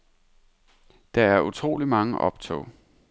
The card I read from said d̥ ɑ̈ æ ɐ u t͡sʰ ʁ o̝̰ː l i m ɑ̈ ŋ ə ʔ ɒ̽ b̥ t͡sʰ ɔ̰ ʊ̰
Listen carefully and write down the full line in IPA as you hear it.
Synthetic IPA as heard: d̥ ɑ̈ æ ɐ u t͡sʰ ʁ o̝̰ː l i m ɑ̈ ŋ ə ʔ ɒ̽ b̥ t͡sʰ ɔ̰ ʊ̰